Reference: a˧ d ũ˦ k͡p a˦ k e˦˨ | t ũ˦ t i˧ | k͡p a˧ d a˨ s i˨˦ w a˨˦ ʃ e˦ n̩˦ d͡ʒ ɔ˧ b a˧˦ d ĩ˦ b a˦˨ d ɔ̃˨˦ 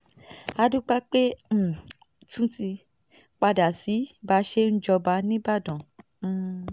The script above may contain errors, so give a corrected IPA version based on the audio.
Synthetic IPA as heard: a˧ d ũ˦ k͡p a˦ k͡p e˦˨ | t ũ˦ t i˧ | k͡p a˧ d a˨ s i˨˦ b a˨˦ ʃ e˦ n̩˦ d͡ʒ ɔ˧ b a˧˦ n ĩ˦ b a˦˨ d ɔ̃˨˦

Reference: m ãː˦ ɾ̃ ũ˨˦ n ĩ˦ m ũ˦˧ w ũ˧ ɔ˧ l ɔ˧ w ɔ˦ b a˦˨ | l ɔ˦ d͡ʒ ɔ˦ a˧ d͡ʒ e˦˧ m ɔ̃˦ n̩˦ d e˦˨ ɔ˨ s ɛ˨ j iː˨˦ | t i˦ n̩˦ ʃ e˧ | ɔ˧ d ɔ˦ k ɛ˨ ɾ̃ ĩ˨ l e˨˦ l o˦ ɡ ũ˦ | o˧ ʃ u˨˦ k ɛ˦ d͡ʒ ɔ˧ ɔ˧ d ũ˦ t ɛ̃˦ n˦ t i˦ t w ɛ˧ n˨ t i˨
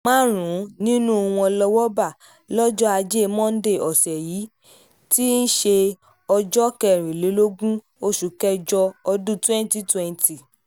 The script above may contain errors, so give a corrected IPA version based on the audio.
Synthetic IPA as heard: m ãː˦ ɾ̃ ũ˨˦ n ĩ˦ n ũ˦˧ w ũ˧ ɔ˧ l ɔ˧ w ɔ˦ b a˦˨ | l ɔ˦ d͡ʒ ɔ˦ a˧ d͡ʒ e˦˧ m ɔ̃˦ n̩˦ d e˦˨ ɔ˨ s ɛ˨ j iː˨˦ | t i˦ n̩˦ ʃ e˧ | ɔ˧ d͡ʒ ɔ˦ k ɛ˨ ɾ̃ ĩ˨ l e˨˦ l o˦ ɡ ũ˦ | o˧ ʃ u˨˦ k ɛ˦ d͡ʒ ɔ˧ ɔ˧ d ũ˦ t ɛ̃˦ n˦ t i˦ t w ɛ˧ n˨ t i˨

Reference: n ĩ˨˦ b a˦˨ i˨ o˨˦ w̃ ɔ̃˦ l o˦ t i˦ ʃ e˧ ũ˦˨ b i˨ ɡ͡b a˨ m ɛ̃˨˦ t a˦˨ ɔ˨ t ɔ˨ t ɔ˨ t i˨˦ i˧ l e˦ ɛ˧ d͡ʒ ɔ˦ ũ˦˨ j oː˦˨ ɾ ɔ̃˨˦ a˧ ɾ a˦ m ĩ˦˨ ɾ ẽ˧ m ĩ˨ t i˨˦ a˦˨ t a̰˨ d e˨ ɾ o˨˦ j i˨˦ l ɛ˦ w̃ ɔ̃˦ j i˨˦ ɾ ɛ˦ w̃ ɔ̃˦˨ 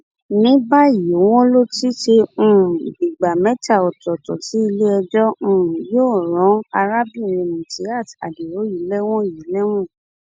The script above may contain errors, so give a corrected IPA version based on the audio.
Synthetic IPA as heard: n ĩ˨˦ b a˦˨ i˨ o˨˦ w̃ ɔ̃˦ l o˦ t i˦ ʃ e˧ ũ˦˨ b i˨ ɡ͡b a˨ m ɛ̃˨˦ t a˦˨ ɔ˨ t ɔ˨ t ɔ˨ t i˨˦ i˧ l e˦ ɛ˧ d͡ʒ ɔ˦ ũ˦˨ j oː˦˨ ɾ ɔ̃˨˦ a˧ ɾ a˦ b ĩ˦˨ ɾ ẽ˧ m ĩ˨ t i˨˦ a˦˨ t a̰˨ d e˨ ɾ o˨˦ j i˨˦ l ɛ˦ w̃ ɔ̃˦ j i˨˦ l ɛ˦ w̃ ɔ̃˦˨

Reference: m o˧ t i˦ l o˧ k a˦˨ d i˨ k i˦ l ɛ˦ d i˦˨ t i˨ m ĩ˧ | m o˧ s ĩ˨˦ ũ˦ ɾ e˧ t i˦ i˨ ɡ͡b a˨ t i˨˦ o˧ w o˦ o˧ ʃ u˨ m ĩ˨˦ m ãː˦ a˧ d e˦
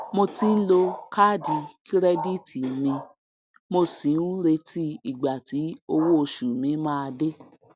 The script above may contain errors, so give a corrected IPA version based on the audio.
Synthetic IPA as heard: m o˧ t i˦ l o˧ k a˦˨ d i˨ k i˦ ɾ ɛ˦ d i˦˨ t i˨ m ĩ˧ | m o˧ s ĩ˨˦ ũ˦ ɾ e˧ t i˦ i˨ ɡ͡b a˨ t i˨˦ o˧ w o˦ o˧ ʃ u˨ m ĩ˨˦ m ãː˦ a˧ d e˦

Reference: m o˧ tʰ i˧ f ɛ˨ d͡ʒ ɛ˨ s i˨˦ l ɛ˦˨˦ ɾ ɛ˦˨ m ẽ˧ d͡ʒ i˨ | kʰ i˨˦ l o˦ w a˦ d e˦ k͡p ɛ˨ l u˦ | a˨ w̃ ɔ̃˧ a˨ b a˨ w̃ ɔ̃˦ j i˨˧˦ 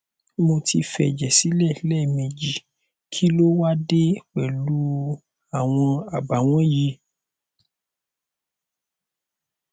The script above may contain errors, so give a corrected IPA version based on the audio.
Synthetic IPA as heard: m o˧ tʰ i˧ f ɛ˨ d͡ʒ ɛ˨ s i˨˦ l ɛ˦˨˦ l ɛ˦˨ m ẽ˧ d͡ʒ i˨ | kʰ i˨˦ l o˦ w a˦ d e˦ k͡p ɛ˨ l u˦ | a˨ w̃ ɔ̃˧ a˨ b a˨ w̃ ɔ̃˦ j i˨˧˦

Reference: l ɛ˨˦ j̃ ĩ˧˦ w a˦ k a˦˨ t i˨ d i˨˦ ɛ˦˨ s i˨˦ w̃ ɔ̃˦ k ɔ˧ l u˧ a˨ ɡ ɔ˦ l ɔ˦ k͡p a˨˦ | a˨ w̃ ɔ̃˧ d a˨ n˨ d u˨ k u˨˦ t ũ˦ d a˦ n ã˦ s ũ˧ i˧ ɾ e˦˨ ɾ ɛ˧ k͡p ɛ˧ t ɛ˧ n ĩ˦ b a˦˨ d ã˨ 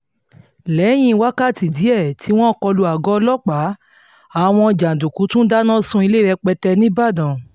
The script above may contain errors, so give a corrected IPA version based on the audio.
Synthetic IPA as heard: l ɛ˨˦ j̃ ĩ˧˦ w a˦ k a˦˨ t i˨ d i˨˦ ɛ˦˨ t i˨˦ w̃ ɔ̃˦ k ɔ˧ l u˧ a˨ ɡ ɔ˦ l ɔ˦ k͡p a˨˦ | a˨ w̃ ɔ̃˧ d͡ʒ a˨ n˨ d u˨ k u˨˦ t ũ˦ d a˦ n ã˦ s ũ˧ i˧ l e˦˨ ɾ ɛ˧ k͡p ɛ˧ t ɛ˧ n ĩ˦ b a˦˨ d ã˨

